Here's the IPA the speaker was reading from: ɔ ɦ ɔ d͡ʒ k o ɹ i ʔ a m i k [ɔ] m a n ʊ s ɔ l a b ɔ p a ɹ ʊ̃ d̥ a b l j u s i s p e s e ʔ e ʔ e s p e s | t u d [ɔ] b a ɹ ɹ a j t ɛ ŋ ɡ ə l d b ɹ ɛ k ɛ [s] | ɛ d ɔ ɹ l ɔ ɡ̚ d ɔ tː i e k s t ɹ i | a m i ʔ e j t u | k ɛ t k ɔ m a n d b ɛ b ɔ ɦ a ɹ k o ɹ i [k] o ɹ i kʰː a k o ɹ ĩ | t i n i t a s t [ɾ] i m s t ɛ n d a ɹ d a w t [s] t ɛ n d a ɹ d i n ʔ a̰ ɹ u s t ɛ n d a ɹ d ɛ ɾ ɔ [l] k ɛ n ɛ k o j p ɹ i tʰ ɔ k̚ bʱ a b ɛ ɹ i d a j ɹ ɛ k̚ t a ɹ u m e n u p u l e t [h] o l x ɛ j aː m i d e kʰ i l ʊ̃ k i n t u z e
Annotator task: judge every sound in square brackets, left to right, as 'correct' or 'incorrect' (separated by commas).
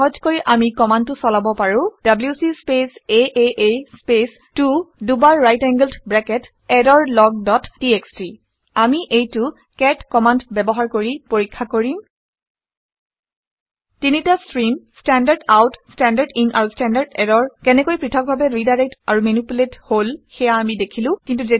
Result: correct, incorrect, incorrect, incorrect, incorrect, correct, incorrect, correct